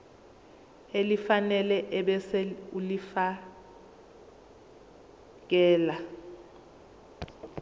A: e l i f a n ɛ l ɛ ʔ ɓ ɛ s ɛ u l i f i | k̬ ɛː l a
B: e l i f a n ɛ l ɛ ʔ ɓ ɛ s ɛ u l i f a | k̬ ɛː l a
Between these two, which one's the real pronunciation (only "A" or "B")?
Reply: B